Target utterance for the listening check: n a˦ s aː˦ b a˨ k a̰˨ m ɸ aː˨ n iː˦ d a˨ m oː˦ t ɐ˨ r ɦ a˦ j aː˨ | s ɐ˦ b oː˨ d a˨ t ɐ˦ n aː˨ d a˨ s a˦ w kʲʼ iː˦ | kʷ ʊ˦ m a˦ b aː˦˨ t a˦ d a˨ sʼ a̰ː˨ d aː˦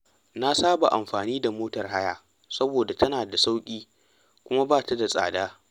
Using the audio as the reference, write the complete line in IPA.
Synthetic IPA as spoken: n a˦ s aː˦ b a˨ ʔ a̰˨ m ɸ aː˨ n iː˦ d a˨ m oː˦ t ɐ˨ r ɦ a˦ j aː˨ | s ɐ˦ b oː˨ d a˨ t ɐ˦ n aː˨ d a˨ s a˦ w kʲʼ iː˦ | kʷ ʊ˦ m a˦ b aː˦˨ t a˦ d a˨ sʼ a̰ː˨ d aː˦

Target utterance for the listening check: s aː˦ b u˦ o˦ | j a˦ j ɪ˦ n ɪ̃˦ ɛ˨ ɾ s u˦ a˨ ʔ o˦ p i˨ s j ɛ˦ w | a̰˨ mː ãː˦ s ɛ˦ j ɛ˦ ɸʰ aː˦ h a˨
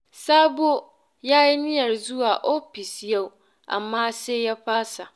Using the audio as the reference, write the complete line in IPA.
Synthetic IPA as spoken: s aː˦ b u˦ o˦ | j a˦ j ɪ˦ n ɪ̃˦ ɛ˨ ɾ z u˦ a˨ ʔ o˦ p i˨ s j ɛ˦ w | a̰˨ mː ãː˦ s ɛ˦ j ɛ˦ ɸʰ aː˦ s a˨

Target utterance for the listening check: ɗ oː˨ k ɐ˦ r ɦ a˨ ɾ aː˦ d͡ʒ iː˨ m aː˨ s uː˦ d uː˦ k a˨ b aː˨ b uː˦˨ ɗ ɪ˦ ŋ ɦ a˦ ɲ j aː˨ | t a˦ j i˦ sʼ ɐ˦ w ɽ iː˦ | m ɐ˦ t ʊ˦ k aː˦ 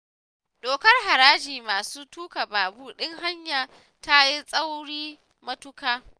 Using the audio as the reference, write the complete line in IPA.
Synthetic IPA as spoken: ɗ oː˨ k ɐ˦ r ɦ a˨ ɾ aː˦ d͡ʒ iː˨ m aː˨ s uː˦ t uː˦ k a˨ b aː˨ b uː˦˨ ɗ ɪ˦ ŋ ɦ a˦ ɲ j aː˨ | t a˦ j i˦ sʼ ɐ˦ w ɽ iː˦ | m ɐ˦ t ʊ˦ k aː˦

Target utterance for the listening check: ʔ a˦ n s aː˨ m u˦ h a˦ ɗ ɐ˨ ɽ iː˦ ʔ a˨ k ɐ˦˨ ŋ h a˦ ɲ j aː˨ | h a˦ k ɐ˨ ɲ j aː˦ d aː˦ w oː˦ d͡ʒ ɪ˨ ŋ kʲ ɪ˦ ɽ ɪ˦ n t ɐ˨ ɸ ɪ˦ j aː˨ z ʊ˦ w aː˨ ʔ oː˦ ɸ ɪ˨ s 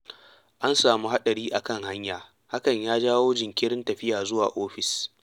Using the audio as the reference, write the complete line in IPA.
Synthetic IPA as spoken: ʔ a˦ n s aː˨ m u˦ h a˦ ɗ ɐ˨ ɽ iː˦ ʔ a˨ k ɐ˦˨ ŋ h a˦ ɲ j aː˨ | h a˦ k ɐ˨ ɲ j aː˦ d͡ʒ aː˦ w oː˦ d͡ʒ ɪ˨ ŋ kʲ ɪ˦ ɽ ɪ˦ n t ɐ˨ ɸ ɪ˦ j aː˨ z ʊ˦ w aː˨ ʔ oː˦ ɸ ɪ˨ s

